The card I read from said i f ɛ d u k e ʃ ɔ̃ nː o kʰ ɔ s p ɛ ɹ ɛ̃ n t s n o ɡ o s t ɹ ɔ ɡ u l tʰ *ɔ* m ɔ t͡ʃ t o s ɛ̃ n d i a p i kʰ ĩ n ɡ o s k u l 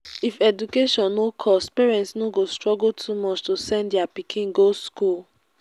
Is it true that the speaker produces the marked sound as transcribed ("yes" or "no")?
no